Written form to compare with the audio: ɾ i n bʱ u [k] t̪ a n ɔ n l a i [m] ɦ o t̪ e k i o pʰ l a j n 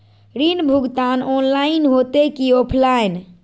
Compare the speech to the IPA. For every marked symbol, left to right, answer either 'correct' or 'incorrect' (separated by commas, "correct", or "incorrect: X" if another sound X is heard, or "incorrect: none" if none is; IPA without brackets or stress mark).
incorrect: ɡ, incorrect: n